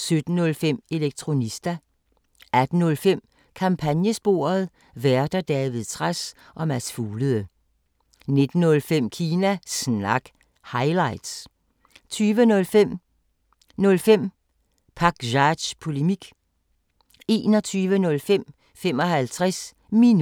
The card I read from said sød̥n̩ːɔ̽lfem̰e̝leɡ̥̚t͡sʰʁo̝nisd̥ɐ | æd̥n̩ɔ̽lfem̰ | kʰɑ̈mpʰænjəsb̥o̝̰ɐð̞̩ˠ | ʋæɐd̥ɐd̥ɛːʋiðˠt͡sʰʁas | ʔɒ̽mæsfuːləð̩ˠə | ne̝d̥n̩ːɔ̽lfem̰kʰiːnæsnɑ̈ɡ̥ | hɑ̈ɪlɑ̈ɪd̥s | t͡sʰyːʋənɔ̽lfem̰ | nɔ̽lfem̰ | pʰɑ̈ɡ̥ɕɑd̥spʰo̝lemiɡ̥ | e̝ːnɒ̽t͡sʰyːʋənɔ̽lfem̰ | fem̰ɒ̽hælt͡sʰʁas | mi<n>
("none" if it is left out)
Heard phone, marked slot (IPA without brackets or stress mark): n